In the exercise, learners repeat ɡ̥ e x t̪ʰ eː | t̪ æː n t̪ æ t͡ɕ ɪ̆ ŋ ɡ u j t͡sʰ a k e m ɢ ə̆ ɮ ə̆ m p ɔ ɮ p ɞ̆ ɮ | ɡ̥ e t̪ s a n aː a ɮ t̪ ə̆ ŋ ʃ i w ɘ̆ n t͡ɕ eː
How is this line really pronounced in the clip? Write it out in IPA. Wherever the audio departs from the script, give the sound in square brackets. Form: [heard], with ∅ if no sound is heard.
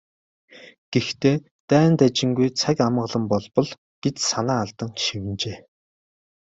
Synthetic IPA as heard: ɡ̥ e x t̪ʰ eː | t̪ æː n t̪ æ t͡ɕ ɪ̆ ŋ ɡ u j t͡sʰ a k [a] m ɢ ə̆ ɮ ə̆ m p ɔ ɮ p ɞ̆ ɮ | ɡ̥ e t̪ s a n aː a ɮ t̪ ə̆ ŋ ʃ i w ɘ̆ n t͡ɕ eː